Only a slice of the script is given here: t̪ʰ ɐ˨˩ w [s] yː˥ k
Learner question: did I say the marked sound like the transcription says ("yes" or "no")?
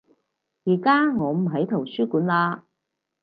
yes